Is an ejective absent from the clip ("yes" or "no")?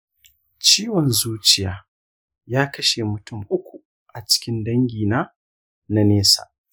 yes